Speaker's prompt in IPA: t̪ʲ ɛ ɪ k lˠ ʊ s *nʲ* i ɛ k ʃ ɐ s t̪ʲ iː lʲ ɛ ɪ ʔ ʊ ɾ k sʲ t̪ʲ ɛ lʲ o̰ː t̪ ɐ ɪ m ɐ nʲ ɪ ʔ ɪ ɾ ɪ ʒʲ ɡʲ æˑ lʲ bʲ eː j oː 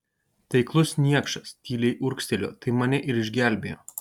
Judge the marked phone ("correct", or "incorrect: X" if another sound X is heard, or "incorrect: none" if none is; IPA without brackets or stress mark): correct